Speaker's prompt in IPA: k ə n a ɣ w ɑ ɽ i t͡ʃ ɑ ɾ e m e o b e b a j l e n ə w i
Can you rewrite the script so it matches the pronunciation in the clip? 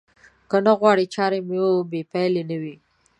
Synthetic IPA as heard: k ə n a ɣ w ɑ ɽ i t͡ʃ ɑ ɾ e m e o b e p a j l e n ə w i